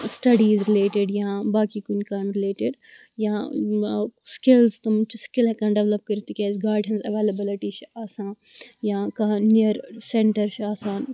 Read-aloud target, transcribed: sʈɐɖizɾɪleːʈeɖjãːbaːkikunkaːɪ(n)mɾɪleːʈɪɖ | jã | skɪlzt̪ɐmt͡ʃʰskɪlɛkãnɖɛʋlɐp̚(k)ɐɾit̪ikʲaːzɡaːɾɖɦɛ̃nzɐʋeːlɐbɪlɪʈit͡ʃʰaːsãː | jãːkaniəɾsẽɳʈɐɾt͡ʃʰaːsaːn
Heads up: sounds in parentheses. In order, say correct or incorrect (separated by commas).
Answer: incorrect, correct